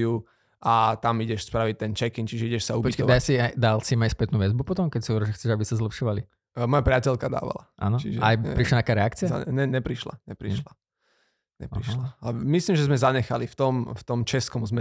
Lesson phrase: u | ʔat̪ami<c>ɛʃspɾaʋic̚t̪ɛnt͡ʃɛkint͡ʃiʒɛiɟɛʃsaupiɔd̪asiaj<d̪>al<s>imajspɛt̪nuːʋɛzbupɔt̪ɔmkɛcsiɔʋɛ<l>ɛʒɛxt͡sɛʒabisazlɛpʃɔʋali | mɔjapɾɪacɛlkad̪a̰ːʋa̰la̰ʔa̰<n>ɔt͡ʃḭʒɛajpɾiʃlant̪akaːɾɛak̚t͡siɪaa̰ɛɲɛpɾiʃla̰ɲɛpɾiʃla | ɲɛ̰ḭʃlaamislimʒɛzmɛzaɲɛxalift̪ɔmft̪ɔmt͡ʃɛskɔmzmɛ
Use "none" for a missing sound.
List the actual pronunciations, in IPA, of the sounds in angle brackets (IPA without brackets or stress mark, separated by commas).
ɟ, d̪, s, ɾ, n